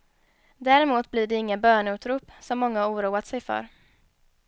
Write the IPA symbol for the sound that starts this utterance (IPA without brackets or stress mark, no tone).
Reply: d̪